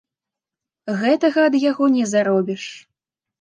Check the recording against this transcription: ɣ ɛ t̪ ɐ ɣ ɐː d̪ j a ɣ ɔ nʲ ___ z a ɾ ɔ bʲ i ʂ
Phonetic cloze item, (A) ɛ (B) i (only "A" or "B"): A